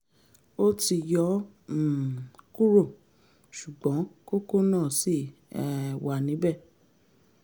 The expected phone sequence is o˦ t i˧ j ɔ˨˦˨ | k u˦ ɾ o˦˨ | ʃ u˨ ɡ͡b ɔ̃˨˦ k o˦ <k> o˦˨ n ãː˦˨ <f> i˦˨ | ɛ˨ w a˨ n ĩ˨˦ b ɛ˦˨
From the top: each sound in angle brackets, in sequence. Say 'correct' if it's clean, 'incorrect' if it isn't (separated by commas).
correct, incorrect